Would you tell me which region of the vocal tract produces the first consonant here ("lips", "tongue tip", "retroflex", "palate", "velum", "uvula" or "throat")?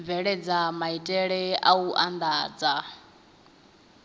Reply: lips